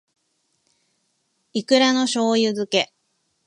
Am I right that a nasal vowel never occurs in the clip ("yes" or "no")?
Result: yes